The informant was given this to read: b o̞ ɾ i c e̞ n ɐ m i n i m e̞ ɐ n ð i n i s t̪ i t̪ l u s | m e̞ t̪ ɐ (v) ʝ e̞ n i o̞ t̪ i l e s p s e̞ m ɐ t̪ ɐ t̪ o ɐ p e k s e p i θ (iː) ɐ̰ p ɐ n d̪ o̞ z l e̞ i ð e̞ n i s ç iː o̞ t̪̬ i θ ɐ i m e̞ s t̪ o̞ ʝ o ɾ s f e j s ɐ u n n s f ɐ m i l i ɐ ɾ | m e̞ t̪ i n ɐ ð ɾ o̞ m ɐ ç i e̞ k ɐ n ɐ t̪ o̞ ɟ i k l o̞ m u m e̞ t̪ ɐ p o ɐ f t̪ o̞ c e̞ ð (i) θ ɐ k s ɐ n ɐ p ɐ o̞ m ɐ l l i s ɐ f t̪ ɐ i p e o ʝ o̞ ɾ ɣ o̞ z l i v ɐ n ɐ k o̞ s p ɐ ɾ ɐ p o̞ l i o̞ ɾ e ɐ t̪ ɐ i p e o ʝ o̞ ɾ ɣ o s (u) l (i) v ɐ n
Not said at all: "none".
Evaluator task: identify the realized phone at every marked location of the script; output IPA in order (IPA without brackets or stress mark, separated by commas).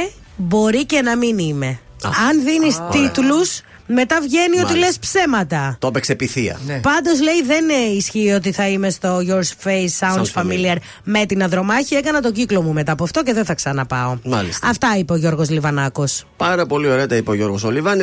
v, i, e, o, i